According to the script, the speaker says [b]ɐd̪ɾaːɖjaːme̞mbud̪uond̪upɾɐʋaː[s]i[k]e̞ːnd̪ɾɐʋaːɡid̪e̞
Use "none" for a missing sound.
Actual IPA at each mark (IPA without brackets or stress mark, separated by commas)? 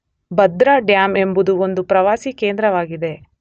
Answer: b, s, k